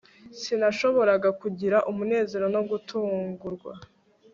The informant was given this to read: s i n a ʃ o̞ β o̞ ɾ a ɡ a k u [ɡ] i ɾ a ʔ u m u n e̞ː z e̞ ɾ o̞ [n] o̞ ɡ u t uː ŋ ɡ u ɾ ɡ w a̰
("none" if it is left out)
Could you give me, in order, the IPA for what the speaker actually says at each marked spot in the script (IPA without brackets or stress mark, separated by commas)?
ɟ, n